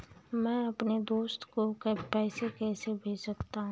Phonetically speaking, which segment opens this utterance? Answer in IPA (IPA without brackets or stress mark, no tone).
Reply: m